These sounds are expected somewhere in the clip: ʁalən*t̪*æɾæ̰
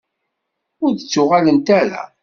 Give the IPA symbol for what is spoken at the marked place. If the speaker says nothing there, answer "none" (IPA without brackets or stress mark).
t̪